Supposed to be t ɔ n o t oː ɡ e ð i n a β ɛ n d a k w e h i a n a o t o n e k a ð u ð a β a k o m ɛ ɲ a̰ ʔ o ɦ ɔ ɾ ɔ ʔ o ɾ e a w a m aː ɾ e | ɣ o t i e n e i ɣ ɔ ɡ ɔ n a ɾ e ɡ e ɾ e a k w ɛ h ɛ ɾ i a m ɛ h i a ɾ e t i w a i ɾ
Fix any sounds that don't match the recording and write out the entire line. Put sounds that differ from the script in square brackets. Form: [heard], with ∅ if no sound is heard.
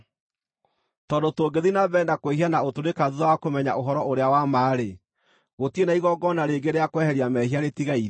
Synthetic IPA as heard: t ɔ [d] o t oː ɡ e ð i n a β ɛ n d a k w e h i a n a o t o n e k a ð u ð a [w] a k o m ɛ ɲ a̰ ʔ o ɦ ɔ ɾ ɔ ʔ o ɾ e a w a m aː ɾ e | ɣ o t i e n [a] i ɣ ɔ ɡ ɔ n a ɾ e ɡ e ɾ e a k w ɛ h ɛ ɾ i a m ɛ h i a ɾ e t i [ɣ] a i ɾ